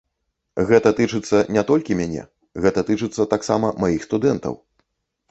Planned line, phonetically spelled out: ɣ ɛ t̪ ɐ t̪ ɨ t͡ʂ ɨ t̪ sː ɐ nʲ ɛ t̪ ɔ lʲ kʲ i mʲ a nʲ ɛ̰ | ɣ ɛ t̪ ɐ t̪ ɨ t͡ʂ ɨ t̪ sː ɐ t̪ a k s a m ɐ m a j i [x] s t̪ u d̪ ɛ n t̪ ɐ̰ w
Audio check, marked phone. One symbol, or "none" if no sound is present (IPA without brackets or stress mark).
x